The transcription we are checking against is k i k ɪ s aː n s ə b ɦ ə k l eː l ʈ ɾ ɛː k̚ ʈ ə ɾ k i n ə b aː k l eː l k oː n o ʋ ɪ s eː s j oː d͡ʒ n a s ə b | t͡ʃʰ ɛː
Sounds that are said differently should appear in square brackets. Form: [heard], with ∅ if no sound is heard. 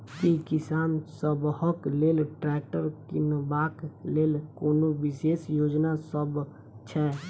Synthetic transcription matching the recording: k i k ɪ s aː n s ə b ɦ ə k l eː l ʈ ɾ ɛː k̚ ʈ ə ɾ k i n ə b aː k l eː l k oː n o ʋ ɪ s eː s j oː d͡ʒ n a s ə b | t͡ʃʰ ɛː